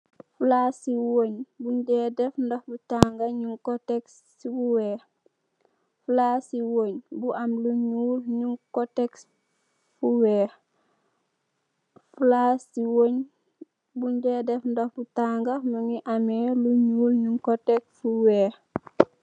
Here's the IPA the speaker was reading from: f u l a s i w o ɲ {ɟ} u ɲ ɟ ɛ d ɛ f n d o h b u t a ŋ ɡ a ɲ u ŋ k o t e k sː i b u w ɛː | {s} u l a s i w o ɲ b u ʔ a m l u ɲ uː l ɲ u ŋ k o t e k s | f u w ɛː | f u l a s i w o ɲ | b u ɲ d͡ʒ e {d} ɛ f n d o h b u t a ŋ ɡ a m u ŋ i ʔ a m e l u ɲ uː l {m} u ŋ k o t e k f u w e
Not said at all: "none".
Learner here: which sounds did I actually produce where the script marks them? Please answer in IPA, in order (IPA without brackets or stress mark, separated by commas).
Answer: b, f, d, ɲ